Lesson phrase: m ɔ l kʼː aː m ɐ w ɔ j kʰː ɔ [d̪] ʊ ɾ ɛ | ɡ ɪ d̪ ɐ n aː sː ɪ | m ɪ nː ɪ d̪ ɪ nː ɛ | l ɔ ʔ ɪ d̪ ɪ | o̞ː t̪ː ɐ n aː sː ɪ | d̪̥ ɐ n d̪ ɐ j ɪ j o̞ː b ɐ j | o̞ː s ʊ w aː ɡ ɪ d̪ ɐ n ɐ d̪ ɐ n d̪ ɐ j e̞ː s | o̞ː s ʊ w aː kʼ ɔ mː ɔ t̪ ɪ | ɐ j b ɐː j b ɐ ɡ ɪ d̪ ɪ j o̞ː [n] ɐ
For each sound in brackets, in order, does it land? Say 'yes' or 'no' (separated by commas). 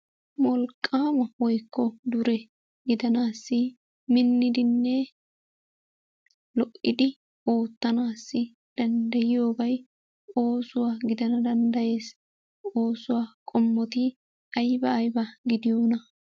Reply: yes, yes